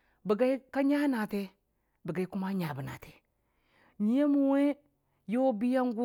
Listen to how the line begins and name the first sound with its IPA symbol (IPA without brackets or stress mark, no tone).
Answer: b